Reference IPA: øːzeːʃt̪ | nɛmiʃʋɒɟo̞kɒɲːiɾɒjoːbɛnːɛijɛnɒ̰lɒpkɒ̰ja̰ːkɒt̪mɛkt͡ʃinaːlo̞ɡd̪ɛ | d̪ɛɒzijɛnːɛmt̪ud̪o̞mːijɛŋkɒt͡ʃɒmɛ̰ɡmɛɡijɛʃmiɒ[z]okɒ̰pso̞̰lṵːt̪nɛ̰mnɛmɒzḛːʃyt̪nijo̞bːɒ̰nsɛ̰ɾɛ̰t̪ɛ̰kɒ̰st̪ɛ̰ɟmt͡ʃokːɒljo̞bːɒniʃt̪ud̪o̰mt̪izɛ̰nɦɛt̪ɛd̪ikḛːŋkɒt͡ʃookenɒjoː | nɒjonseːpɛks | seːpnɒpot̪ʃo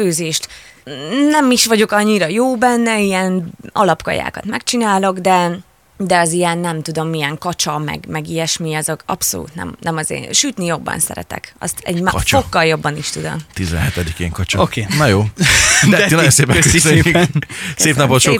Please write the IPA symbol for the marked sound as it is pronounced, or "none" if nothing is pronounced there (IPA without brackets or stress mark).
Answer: z